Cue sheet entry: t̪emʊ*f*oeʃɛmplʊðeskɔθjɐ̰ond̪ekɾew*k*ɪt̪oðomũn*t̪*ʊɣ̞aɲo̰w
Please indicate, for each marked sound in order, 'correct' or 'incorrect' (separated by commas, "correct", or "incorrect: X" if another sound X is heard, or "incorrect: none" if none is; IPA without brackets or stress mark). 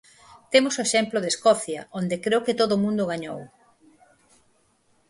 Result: incorrect: s, correct, incorrect: d̪